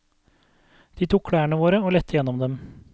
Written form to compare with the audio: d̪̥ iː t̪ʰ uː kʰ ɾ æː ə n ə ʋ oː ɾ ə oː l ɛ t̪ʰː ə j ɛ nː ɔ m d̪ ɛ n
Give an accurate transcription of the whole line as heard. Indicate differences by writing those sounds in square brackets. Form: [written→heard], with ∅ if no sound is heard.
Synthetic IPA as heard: d̪̥ iː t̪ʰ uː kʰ [ɾ→ɽ] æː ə [n→ɳ] ə ʋ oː ɾ ə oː l ɛ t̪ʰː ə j ɛ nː ɔ m d̪ ɛ [n→m]